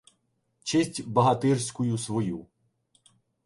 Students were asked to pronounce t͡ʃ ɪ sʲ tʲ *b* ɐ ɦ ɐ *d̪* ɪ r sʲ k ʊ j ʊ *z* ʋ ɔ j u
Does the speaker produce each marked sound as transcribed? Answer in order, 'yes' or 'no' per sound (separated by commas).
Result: yes, no, no